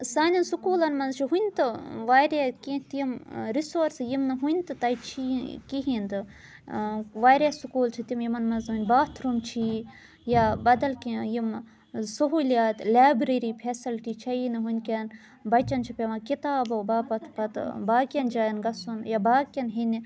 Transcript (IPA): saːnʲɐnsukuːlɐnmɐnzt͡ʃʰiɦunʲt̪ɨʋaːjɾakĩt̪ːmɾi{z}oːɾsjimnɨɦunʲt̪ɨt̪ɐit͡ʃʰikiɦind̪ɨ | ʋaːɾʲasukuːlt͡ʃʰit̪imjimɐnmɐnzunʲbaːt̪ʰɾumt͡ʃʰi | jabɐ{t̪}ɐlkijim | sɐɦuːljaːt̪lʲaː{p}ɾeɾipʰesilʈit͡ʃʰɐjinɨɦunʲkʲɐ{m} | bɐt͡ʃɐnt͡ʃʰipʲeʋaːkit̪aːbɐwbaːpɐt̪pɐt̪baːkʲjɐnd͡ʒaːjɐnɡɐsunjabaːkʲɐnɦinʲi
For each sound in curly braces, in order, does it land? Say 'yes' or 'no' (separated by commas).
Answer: no, no, no, no